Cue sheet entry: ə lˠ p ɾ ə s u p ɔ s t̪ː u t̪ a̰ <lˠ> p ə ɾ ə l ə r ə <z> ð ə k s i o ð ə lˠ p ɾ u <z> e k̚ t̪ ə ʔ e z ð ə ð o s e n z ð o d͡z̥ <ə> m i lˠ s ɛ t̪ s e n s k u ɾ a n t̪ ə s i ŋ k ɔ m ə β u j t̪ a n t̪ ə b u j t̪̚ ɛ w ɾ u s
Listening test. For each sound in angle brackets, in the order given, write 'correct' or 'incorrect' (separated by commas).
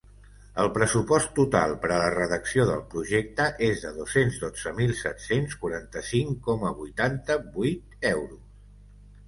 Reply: correct, incorrect, incorrect, correct